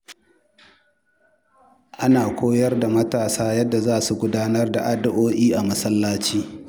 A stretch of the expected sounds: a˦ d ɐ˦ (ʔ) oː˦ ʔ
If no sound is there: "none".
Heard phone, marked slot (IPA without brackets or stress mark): ʔ